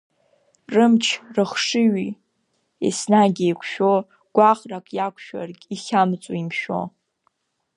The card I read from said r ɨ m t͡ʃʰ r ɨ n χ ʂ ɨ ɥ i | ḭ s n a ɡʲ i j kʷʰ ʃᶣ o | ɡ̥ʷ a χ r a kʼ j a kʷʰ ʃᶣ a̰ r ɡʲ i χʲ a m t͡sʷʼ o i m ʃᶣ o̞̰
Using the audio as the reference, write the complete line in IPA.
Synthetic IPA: r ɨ m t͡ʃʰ r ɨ χ ʂ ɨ ɥ i | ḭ s n a ɡʲ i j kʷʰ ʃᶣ o | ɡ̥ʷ a χ r a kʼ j a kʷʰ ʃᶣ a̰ r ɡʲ i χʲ a m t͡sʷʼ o i m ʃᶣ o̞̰